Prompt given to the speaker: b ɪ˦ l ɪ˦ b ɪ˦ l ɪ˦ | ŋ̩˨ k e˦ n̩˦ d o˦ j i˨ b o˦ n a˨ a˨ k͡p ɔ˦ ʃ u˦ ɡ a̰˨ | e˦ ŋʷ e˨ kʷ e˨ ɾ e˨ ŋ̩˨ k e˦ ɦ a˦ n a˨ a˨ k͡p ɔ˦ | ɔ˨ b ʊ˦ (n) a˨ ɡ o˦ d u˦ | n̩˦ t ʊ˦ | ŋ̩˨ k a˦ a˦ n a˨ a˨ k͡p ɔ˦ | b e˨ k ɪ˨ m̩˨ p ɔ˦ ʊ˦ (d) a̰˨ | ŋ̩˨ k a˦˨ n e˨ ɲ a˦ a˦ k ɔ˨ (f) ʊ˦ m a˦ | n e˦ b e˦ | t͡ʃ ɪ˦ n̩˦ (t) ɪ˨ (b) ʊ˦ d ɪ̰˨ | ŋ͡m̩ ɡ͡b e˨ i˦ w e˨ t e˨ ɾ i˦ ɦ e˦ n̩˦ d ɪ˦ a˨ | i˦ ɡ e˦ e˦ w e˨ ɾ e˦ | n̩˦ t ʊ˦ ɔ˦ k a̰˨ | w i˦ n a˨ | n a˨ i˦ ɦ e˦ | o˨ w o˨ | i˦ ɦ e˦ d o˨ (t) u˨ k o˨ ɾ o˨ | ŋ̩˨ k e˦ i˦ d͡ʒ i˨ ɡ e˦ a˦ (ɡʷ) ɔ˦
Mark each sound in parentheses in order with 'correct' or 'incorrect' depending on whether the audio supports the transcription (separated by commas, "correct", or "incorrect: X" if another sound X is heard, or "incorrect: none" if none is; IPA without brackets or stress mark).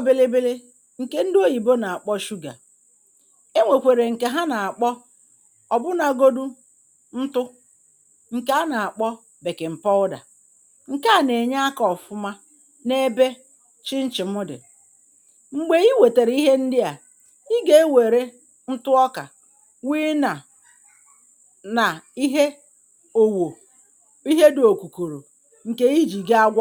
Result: correct, correct, correct, incorrect: t͡ʃ, incorrect: m, incorrect: k, correct